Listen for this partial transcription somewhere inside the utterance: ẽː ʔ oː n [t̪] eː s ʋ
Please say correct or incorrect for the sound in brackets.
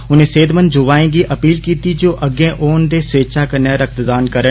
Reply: incorrect